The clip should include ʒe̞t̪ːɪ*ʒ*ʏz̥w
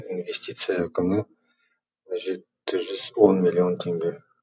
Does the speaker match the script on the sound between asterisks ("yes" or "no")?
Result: yes